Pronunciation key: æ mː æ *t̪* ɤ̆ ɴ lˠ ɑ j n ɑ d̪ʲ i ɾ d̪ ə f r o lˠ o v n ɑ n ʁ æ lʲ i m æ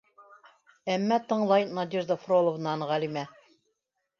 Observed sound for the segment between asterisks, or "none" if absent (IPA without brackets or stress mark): t̪